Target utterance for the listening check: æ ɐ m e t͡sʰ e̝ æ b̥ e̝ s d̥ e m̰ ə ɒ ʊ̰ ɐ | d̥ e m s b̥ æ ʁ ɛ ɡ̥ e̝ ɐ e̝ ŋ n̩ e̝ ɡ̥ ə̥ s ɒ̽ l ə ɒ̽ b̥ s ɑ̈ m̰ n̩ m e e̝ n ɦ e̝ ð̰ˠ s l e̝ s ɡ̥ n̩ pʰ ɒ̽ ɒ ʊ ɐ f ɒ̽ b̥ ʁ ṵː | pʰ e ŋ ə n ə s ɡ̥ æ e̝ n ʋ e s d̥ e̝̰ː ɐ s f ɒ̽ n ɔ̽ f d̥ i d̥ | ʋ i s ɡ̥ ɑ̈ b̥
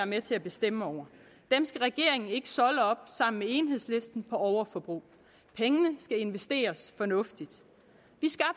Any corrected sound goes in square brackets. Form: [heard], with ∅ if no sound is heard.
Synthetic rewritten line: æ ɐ m e t͡sʰ e̝ æ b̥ e̝ s d̥ e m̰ ə ɒ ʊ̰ ɐ | d̥ e m s [ɡ̥] æ ʁ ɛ ɡ̥ e̝ ɐ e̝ ŋ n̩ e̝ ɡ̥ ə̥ s ɒ̽ l ə ɒ̽ b̥ s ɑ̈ m̰ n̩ m e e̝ n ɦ e̝ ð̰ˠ s l e̝ s [d̥] n̩ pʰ ɒ̽ ɒ ʊ ɐ f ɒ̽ b̥ ʁ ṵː | pʰ e ŋ ə n ə s ɡ̥ æ e̝ n ʋ e s d̥ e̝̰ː ɐ s f ɒ̽ n ɔ̽ f d̥ i d̥ | ʋ i s ɡ̥ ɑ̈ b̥